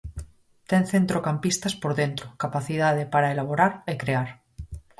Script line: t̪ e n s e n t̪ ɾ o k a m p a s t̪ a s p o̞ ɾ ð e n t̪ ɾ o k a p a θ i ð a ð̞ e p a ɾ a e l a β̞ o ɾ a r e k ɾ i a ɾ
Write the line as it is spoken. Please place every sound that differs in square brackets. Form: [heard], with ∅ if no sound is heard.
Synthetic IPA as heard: t̪ e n [θ] e n t̪ ɾ o k a m p [i] s t̪ a s p o̞ ɾ ð e n t̪ ɾ o k a p a θ i ð a ð̞ e p a ɾ a e l a β̞ o ɾ a [ɾ] e k ɾ [e] a ɾ